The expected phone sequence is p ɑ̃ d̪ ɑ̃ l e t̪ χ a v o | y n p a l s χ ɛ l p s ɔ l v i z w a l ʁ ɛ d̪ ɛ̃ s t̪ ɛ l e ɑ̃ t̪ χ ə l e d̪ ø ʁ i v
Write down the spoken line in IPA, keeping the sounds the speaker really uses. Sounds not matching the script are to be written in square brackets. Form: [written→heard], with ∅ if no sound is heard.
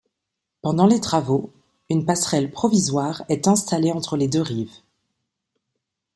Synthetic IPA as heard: p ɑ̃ d̪ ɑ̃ l e t̪ χ a v o | y n p a [l→∅] s χ ɛ l p [s→χ] ɔ [l→∅] v i z w a [l→∅] ʁ ɛ [d̪→t̪] ɛ̃ s t̪ [ɛ→a] l e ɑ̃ t̪ χ ə l e d̪ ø ʁ i v